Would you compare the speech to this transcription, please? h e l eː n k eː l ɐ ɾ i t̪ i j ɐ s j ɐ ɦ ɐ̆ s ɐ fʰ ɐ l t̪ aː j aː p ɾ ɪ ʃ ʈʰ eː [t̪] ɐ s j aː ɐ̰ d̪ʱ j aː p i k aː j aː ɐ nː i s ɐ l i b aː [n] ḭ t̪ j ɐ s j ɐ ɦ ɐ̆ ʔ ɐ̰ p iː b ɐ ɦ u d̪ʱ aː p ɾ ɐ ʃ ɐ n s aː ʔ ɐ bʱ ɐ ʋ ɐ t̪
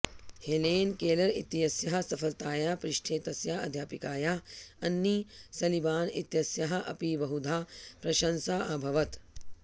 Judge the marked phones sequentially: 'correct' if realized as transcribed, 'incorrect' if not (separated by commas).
correct, correct